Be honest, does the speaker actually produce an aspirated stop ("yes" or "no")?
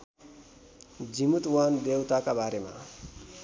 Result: no